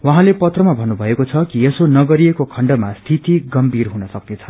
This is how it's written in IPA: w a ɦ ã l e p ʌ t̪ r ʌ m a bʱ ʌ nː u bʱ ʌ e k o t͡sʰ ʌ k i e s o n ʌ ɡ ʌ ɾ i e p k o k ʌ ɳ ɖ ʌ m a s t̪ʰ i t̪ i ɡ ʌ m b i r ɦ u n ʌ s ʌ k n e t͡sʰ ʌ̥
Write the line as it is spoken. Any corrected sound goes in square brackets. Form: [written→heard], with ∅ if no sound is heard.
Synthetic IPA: w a ɦ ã l e p ʌ t̪ r ʌ m a bʱ ʌ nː u bʱ ʌ e k o t͡sʰ ʌ k i e s o n ʌ ɡ ʌ ɾ i e [p→∅] k o [k→kʰ] ʌ ɳ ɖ ʌ m a s t̪ʰ i t̪ i ɡ ʌ m b i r ɦ u n ʌ s ʌ k n e t͡sʰ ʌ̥